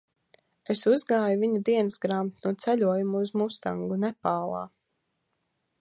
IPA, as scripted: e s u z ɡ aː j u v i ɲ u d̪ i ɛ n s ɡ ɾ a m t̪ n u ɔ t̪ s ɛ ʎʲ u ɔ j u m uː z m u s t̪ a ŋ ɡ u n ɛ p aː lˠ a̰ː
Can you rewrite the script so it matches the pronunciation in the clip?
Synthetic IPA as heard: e s u z ɡ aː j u v i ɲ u d̪ i ɛ n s ɡ ɾ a m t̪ n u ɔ t̪ s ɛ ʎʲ u ɔ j u m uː z m u s t̪ a ŋ ɡ u n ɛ p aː lˠ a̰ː